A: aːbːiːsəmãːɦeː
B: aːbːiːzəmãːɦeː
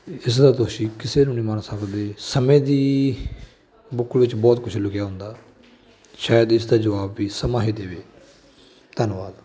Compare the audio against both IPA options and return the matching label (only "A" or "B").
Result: A